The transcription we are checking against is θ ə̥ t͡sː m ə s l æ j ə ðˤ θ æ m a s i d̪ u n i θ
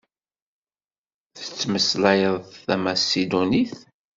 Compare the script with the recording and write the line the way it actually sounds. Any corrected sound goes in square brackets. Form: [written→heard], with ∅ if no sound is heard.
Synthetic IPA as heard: θ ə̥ t͡sː m ə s l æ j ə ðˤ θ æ m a s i d̪ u n i θ

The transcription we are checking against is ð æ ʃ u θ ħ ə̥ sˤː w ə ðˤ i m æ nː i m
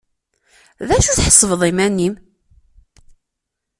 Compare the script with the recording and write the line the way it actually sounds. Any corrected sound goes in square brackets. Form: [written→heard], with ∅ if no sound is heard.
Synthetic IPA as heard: ð æ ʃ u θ ħ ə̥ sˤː [w→v] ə ðˤ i m æ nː i m

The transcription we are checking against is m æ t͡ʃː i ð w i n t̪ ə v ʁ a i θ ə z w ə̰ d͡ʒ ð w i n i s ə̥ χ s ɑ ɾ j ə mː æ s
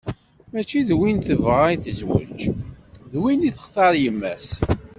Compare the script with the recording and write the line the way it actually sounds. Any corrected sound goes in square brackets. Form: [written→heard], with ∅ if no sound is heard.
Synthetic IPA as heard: m æ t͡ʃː i ð w i n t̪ ə v ʁ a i θ ə z w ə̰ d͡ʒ ð w i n i [s→θ] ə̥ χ [s→θ] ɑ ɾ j ə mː æ s

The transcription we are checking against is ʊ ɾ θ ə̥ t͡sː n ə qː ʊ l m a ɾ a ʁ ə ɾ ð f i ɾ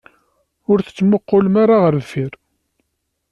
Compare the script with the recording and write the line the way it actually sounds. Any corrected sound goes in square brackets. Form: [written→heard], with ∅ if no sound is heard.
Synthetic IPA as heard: ʊ ɾ θ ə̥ t͡sː [n→m] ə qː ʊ l m a ɾ a ʁ ə ɾ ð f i ɾ

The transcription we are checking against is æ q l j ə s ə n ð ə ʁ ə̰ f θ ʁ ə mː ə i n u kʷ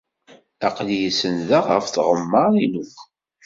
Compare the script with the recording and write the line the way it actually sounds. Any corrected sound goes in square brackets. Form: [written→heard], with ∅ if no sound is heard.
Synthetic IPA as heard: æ q l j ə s ə n ð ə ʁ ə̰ f θ ʁ ə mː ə i n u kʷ

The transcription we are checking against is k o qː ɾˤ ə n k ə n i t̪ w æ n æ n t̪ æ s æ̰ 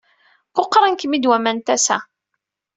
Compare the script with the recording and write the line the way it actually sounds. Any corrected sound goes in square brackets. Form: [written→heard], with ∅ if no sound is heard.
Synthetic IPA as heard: k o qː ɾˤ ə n k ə [n→m] i [t̪→d̪] w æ [n→m] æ n t̪ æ s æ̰

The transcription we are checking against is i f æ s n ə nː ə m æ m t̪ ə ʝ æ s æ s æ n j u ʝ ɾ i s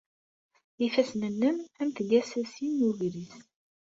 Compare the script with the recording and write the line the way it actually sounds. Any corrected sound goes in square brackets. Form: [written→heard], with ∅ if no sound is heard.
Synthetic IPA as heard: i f æ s n ə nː ə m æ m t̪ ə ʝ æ s æ s [æ→i] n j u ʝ ɾ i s

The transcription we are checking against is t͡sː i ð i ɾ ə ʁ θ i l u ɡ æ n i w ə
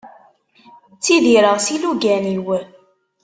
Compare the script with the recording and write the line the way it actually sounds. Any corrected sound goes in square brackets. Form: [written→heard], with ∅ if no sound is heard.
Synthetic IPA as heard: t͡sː i ð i ɾ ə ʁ [θ→s] i l u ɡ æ n i w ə

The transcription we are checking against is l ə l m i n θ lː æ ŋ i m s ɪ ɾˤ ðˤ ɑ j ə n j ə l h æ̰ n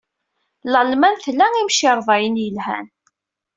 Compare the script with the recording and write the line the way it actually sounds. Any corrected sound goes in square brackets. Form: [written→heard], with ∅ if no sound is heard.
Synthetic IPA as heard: l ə l m [i→æ] n θ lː æ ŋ i m [s→ʃ] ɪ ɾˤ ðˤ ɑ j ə n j ə l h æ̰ n

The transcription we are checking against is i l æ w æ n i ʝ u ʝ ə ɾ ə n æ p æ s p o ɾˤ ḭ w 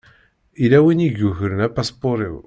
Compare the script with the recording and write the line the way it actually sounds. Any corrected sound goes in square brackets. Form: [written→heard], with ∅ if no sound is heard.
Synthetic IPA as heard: i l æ w [æ→i] n i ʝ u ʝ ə ɾ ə n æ p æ s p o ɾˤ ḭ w

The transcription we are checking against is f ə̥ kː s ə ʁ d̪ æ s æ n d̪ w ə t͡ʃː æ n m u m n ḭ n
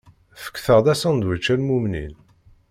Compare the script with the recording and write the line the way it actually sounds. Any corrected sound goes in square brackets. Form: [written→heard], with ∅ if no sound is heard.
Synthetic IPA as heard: f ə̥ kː [s→θ] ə ʁ d̪ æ s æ n d̪ w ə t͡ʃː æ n m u m n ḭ n

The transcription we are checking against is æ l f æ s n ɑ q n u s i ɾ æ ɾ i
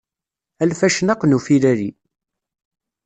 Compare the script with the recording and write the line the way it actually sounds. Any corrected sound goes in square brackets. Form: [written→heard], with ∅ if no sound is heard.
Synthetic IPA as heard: æ l f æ [s→ʃ] n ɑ q n u [s→f] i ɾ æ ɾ i

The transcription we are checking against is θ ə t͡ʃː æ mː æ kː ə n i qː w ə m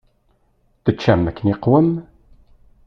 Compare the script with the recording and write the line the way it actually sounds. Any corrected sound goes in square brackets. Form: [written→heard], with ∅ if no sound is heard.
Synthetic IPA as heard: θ ə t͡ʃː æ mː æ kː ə n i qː w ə m

